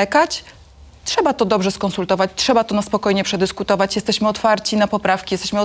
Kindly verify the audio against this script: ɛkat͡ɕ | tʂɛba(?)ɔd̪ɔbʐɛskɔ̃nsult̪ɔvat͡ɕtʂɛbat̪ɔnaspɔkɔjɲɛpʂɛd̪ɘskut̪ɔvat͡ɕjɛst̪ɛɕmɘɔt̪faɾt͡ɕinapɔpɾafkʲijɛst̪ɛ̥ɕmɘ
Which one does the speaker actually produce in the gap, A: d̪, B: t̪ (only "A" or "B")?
B